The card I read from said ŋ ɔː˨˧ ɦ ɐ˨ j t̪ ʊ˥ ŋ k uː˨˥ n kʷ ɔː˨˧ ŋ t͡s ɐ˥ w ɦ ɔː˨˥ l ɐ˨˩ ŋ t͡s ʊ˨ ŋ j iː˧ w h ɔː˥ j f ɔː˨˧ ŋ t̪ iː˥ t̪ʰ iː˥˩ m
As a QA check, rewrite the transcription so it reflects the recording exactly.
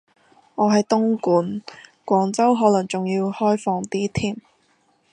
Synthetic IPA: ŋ ɔː˨˧ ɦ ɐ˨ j t̪ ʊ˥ ŋ k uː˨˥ n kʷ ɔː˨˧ ŋ t͡s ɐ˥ w ɦ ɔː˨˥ l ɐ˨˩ ŋ t͡s ʊ˨ ŋ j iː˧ w h ɔː˥ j f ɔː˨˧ ŋ t̪ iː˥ t̪ʰ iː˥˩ m